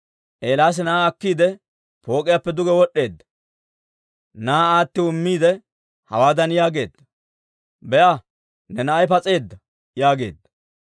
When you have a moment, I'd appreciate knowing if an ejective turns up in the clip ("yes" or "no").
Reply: yes